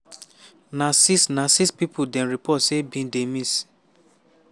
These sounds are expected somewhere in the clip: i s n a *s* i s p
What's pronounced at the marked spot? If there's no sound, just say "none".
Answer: s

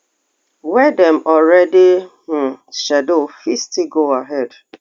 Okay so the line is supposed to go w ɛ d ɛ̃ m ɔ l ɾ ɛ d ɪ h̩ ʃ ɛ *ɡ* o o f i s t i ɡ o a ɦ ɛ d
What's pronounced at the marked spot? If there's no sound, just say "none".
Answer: d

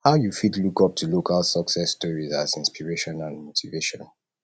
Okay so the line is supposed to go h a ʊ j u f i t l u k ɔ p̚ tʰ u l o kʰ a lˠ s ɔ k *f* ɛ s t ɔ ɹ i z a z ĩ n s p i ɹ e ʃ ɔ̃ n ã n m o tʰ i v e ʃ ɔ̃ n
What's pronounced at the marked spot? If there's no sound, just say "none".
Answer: s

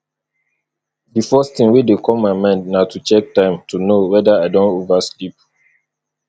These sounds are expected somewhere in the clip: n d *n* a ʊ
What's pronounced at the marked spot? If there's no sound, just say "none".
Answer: n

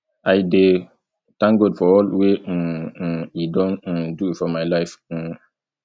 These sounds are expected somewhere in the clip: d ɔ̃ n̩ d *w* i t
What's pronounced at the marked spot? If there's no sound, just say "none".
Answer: u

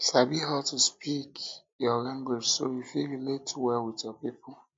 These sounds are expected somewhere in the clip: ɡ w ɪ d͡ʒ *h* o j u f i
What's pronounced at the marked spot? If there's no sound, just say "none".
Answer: s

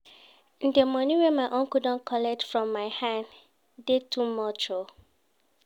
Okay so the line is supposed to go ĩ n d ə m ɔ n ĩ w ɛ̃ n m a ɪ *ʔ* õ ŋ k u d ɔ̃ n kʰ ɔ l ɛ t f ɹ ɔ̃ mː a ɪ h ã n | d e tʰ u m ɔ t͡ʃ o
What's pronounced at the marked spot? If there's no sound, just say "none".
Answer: ʔ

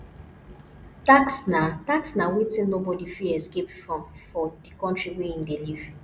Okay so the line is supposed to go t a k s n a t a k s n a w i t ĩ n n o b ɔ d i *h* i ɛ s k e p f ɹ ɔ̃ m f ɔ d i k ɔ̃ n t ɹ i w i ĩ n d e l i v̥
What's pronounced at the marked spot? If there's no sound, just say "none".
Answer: f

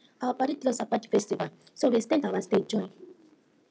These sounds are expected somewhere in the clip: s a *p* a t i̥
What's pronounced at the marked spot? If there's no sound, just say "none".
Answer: p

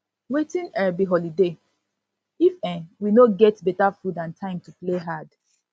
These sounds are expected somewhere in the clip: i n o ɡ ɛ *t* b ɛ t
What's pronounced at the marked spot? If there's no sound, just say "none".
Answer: t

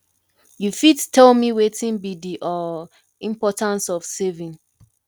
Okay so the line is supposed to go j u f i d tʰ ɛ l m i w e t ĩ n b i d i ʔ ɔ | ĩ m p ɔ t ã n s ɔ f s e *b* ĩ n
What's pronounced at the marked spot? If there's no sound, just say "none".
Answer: v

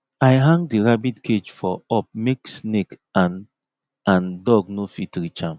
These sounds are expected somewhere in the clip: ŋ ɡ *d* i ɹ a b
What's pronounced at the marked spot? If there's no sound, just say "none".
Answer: d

